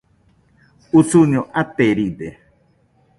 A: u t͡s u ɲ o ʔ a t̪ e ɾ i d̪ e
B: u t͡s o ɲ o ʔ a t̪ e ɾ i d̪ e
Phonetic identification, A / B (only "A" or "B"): A